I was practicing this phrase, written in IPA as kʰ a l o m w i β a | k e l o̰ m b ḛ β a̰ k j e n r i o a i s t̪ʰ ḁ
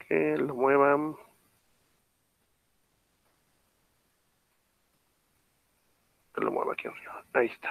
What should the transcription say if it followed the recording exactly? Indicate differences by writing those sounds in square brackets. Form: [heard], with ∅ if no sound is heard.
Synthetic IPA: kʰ [e] l o m w [e] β a | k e l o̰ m [w] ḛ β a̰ k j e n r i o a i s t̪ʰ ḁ